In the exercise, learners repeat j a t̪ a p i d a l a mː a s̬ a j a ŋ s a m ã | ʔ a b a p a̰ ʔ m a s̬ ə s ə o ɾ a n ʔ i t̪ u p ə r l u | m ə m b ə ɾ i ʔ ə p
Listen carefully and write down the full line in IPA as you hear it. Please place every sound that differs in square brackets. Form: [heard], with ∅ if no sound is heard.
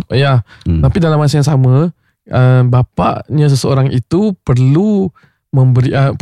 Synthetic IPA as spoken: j a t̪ a p i d a l a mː a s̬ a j a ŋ s a m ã | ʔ [ə] b a p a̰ ʔ [ɲ] a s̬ ə s ə o ɾ a [ŋ] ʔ i t̪ u p ə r l u | m ə m b ə ɾ i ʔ ə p